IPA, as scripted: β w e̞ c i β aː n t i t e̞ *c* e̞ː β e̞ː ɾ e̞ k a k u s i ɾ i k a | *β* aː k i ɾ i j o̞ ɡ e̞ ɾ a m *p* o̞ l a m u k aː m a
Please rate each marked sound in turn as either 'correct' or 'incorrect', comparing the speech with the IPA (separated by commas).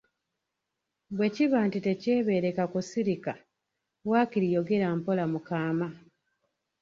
correct, incorrect, correct